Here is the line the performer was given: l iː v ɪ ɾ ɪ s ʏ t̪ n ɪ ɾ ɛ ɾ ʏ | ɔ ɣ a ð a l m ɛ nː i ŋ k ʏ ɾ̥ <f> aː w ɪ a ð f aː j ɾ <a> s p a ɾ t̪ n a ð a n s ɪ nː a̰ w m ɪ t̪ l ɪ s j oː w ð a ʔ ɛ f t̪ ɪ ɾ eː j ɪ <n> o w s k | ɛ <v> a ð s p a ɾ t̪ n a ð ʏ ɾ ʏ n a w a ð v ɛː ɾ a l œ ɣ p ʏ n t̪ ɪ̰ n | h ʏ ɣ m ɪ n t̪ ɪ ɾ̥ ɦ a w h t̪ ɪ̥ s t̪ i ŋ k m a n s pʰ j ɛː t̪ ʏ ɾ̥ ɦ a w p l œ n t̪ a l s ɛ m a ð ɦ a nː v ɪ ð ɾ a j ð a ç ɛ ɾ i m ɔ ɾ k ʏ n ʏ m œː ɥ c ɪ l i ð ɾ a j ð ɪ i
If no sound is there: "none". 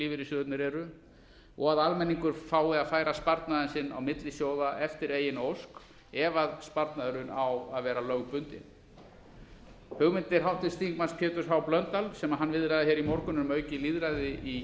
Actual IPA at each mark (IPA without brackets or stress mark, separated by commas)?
f, a, n, v